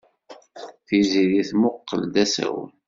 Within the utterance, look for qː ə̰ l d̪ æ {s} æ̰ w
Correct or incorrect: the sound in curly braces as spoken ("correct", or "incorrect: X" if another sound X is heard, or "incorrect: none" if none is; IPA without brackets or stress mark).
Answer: correct